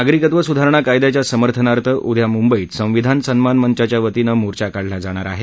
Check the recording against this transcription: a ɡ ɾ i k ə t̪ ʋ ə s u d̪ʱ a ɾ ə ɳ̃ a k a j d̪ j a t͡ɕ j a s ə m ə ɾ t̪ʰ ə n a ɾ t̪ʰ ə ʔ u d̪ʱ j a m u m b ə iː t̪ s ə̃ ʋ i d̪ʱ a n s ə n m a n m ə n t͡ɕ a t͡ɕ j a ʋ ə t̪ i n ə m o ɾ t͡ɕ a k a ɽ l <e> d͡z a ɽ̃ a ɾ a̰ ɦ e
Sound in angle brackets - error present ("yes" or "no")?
yes